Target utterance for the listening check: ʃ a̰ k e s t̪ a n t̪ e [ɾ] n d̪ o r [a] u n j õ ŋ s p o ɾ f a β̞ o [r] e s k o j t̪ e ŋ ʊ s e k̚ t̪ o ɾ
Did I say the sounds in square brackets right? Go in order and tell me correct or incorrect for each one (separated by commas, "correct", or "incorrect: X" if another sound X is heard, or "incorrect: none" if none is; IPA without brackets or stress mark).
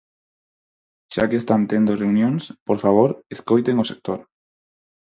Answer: incorrect: none, incorrect: e, incorrect: ɾ